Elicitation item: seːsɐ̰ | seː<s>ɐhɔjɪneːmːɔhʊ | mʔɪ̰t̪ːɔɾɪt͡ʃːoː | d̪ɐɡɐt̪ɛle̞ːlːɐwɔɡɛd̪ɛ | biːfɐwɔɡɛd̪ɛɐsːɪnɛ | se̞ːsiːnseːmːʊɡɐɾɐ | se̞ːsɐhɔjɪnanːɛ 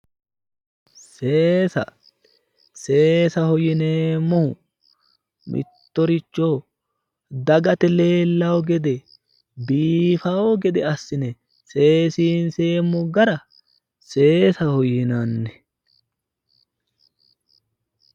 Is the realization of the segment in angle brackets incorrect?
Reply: no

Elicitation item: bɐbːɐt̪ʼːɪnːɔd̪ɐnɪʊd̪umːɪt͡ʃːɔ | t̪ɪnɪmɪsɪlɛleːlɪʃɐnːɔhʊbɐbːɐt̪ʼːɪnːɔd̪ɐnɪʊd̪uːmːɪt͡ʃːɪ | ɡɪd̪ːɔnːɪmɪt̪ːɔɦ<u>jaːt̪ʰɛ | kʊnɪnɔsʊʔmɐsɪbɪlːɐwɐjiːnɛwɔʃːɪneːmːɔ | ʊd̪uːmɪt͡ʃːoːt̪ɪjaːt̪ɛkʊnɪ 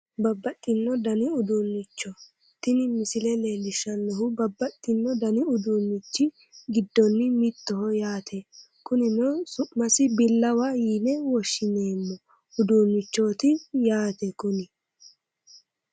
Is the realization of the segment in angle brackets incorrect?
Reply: yes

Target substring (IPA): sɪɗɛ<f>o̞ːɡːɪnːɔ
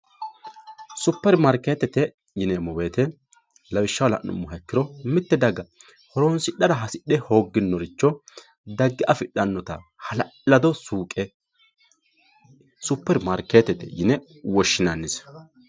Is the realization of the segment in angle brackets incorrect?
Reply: yes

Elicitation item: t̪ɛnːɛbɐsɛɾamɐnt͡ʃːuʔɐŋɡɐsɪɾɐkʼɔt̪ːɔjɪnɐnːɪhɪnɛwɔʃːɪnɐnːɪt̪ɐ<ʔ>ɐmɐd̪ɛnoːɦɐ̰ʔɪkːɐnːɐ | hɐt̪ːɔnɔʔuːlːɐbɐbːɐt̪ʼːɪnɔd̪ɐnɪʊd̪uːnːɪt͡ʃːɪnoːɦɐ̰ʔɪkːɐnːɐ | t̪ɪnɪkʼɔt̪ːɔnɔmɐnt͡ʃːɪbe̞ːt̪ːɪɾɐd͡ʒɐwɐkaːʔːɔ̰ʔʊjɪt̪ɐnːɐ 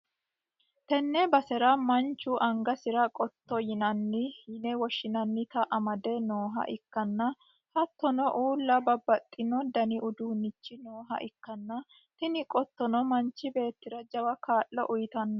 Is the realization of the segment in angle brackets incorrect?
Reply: no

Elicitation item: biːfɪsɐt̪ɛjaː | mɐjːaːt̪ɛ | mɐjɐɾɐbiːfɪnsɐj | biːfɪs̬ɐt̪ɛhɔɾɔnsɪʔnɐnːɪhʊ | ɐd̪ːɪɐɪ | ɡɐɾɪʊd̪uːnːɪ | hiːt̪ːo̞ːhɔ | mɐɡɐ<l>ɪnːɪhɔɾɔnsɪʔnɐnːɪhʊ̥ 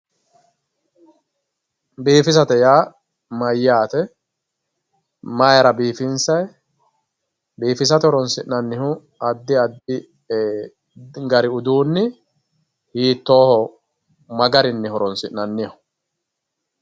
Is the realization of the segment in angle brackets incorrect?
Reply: yes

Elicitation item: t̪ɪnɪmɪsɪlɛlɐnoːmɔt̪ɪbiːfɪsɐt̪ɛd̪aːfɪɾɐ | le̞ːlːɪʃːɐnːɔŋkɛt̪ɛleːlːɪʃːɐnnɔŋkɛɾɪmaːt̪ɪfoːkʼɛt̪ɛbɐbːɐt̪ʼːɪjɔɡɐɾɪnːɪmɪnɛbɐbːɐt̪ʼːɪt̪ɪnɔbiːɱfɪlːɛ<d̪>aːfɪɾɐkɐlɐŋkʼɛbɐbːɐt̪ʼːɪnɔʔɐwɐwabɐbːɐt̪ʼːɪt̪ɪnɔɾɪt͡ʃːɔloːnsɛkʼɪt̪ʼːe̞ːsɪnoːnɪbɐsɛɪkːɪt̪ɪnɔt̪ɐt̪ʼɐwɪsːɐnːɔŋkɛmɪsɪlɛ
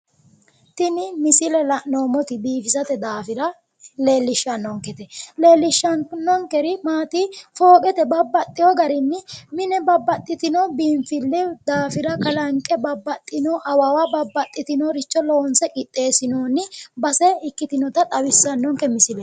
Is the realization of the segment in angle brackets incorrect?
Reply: no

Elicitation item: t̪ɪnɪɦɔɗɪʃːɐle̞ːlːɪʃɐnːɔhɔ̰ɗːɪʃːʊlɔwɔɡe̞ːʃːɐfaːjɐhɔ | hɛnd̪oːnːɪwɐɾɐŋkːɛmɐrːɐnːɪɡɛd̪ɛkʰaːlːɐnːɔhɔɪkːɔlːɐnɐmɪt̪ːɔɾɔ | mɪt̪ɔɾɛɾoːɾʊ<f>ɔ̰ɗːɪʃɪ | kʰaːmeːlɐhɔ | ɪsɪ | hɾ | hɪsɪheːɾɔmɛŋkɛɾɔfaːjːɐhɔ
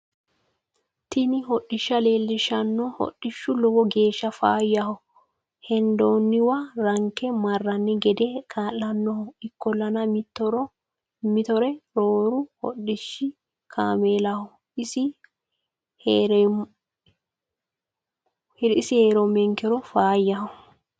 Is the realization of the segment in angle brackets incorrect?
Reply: yes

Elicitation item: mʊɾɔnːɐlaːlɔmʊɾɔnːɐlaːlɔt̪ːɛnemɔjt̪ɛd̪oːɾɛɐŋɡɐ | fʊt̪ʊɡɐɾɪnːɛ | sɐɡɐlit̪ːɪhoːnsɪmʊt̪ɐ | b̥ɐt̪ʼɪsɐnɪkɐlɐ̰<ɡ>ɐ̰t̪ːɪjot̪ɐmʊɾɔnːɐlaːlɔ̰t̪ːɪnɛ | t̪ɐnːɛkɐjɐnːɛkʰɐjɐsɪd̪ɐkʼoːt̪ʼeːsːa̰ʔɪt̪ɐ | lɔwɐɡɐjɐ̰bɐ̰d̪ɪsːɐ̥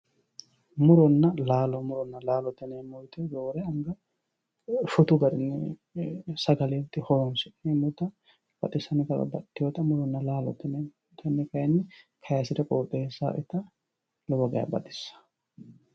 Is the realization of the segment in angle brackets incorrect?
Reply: yes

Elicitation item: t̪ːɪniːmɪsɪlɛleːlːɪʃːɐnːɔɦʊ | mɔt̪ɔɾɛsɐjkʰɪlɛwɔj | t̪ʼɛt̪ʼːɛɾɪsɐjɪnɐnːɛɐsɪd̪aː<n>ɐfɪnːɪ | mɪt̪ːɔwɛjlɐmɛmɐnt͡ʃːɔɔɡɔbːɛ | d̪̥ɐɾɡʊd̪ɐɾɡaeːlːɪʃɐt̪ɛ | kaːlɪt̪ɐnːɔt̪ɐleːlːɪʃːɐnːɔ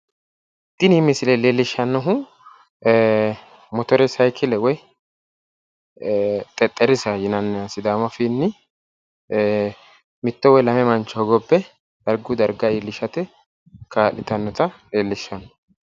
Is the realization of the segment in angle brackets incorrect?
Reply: yes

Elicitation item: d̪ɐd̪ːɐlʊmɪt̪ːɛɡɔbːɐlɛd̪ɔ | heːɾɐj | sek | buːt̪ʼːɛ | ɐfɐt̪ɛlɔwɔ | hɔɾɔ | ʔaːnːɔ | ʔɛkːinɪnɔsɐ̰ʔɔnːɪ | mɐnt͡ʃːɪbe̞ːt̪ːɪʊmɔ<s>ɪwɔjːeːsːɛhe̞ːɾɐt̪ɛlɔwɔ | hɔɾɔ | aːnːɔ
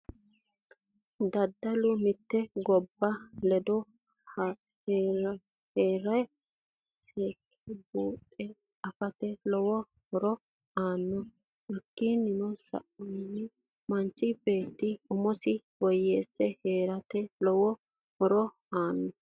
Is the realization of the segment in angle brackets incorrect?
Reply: no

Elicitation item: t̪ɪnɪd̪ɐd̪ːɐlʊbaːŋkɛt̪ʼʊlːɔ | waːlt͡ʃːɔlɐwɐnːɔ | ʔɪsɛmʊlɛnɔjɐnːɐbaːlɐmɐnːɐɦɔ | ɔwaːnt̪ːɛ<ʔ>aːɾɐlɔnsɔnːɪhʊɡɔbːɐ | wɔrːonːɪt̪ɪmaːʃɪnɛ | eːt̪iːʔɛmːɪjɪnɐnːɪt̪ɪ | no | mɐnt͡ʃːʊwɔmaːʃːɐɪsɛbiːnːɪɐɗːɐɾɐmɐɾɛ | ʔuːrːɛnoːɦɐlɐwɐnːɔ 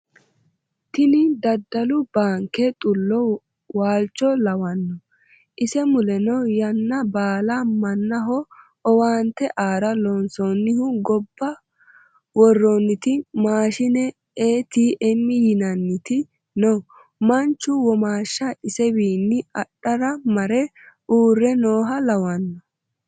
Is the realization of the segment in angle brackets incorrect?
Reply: no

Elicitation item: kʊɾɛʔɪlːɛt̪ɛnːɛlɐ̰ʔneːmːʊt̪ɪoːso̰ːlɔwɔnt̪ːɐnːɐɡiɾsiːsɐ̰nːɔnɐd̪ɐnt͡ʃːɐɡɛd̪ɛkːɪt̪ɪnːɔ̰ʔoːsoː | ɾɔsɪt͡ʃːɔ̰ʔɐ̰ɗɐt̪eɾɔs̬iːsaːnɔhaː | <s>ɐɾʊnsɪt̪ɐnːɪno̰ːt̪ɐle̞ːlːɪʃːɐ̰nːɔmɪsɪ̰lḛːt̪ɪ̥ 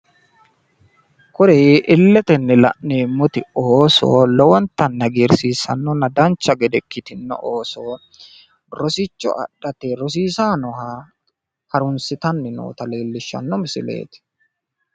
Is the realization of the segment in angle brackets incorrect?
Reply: yes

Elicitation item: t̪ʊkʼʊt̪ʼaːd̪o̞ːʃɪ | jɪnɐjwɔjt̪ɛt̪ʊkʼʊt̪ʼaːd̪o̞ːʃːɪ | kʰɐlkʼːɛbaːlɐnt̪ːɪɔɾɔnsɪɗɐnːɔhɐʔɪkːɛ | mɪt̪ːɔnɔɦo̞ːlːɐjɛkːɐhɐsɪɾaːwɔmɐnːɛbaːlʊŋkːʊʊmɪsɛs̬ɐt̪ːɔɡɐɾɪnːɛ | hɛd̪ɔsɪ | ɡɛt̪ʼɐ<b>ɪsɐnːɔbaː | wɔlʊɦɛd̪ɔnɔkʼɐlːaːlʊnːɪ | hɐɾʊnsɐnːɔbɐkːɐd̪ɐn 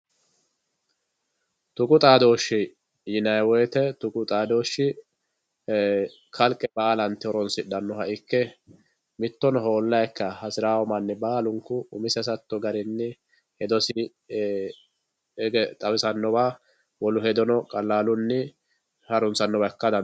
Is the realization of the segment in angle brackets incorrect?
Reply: yes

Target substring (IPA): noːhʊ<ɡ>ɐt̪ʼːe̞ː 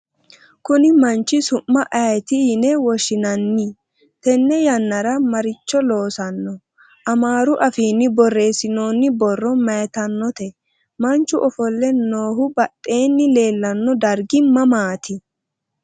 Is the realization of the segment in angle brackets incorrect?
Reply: yes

